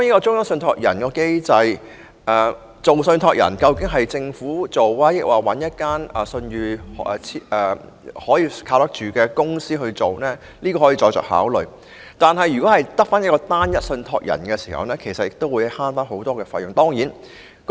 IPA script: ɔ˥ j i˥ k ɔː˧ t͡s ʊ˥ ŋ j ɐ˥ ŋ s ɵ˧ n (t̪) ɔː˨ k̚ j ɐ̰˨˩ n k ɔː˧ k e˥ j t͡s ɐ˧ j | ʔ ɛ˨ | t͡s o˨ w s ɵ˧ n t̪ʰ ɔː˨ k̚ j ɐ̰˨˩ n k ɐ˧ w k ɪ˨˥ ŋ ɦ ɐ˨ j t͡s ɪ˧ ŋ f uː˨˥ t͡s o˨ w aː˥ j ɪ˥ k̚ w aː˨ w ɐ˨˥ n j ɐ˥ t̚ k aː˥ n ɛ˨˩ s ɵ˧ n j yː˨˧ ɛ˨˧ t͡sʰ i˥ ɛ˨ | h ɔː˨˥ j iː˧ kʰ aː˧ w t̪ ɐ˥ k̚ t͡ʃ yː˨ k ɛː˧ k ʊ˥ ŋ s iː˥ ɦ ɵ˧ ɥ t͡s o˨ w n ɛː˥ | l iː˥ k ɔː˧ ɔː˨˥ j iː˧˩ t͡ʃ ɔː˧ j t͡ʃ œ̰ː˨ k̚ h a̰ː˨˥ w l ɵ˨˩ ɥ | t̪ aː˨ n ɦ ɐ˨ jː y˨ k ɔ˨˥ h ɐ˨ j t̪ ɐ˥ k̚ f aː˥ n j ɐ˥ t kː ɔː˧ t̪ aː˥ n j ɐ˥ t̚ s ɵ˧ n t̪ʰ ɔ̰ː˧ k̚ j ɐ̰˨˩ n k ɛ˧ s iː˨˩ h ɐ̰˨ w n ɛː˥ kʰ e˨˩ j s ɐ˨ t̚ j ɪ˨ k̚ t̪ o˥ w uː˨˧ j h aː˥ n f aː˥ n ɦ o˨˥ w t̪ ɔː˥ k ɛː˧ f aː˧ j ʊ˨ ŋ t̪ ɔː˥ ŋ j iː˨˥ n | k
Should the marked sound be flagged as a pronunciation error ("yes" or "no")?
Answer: yes